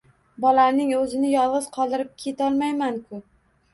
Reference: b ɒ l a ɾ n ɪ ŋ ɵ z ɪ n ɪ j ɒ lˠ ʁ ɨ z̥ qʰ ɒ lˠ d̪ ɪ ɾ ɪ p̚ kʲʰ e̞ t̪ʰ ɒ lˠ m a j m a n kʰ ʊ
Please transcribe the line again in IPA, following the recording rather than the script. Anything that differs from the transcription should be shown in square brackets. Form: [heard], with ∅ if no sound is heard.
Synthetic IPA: b ɒ l a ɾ n ɪ ŋ ɵ z ɪ n ɪ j ɒ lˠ ʁ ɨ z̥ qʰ ɒ lˠ d̪ ɪ ɾ ɪ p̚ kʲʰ e̞ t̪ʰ ɒ lˠ m a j m a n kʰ ʊ